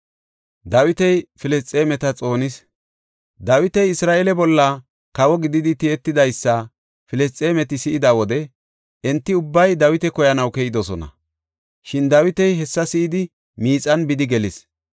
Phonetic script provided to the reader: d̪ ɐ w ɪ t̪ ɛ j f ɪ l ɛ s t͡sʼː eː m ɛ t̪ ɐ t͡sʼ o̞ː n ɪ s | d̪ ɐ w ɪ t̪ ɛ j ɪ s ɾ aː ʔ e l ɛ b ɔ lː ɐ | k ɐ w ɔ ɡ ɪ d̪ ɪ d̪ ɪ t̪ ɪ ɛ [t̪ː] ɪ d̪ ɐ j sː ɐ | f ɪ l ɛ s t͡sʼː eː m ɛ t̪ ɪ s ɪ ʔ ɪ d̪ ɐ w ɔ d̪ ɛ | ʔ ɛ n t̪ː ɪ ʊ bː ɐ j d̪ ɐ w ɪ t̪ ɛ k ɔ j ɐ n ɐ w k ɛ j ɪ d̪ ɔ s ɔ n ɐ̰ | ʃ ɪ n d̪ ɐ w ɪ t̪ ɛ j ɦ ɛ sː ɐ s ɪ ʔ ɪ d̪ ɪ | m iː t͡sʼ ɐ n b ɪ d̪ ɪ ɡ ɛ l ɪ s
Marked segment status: correct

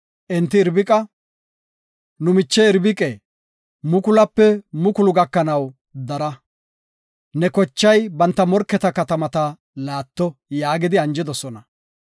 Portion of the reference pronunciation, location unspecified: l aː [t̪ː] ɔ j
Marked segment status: correct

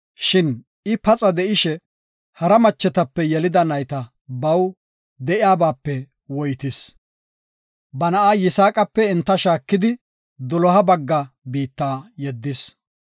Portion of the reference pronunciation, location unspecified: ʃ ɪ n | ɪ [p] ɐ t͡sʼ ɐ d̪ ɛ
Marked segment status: correct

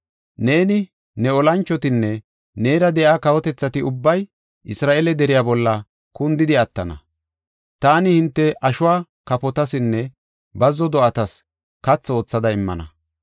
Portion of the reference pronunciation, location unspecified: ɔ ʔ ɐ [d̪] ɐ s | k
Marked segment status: incorrect: t̪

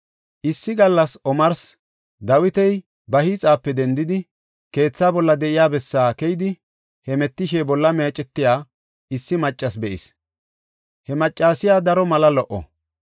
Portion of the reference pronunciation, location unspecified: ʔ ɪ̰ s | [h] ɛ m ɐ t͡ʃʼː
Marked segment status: correct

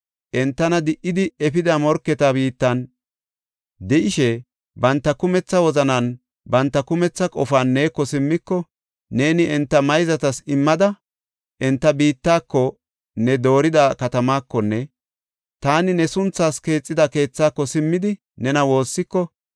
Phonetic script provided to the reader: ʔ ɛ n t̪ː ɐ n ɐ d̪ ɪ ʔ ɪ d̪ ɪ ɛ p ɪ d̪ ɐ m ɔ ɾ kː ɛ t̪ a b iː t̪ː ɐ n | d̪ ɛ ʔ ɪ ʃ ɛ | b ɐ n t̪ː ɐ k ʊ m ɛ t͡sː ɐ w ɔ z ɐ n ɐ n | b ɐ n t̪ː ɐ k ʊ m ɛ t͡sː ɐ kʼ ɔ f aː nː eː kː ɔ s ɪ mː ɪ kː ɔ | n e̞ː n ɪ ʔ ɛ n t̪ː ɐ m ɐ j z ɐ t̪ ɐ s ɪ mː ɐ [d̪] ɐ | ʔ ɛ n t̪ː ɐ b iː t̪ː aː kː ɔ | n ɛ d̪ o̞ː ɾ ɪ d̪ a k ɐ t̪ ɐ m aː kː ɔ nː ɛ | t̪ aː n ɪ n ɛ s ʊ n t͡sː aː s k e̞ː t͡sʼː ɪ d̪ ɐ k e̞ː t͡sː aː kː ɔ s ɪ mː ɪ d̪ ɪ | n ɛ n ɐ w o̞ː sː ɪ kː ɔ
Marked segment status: correct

